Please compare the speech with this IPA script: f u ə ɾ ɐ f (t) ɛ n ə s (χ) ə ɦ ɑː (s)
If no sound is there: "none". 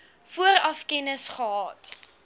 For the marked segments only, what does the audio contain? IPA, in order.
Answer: k, χ, t

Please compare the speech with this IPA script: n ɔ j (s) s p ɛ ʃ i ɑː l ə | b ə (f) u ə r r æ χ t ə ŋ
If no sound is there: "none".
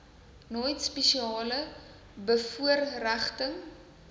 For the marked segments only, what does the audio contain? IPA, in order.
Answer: t, f

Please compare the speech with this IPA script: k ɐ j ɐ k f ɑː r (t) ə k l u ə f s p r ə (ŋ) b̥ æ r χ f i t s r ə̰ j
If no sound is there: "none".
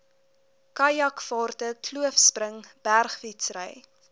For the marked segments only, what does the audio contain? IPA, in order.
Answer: t, ŋ

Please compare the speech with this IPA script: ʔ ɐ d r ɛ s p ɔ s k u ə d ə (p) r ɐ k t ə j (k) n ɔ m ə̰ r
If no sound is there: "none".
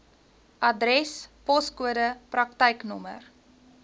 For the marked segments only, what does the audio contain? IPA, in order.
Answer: p, k

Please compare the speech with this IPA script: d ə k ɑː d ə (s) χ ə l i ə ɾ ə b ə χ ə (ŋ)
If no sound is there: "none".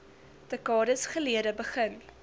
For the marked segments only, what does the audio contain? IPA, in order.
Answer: s, n

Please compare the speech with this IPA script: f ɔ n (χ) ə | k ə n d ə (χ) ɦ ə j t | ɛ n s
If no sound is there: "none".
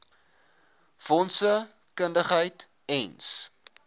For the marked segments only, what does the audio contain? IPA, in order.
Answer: s, χ

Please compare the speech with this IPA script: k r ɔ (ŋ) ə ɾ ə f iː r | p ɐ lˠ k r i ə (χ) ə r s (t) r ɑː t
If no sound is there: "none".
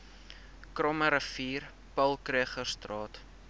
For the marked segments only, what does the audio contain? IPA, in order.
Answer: m, χ, t

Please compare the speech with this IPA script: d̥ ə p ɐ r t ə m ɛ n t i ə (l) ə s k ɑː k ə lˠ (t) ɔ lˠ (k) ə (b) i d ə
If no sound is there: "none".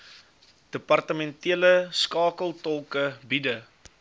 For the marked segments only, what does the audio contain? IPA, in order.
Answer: l, t, k, b

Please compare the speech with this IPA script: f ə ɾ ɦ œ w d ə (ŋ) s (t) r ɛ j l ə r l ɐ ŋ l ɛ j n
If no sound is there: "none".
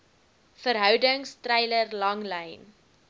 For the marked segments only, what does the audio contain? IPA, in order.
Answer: ŋ, t

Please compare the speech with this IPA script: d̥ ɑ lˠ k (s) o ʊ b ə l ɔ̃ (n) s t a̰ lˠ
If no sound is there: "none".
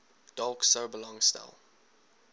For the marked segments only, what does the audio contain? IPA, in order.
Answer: s, ŋ

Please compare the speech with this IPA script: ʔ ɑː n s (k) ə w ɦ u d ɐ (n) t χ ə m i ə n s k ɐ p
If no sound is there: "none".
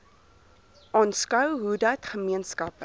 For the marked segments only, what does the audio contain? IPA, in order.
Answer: k, none

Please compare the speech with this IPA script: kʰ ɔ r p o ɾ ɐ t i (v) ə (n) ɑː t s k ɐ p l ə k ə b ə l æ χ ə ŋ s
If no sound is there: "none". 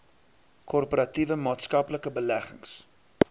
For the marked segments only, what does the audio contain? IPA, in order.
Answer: v, m

